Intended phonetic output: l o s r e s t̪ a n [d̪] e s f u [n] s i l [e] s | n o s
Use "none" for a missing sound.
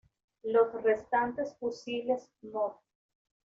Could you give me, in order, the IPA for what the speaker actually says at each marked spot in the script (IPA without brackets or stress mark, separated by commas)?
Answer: t̪, none, e